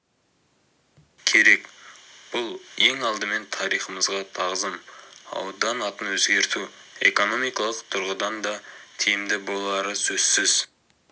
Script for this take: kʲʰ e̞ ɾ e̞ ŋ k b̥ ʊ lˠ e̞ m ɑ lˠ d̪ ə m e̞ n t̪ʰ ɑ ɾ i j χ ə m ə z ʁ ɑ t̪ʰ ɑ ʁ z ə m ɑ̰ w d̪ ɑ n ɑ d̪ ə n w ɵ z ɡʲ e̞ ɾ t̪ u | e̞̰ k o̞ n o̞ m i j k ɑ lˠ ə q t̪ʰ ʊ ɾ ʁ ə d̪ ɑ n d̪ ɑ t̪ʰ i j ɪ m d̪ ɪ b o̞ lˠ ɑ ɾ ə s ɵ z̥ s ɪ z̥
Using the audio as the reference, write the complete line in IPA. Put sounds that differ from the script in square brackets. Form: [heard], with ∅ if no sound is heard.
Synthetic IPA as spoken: kʲʰ e̞ ɾ e̞ [∅] k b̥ ʊ lˠ e̞ [ŋ] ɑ lˠ d̪ ə m e̞ n t̪ʰ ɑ ɾ i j χ ə m ə z ʁ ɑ t̪ʰ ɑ ʁ z ə m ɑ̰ w d̪ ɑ n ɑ [t̪] ə n w ɵ z ɡʲ e̞ ɾ t̪ u | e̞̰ k o̞ n o̞ m i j k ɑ lˠ ə q t̪ʰ ʊ ɾ ʁ ə d̪ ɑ n d̪ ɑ t̪ʰ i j ɪ m d̪ ɪ b o̞ lˠ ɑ ɾ ə s ɵ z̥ s ɪ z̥